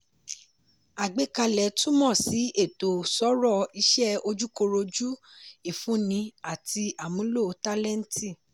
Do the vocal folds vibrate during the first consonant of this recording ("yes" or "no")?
yes